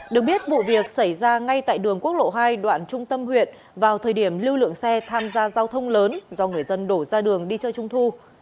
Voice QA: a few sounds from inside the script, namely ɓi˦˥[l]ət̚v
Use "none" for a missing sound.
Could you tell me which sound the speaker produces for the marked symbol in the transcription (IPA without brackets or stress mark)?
none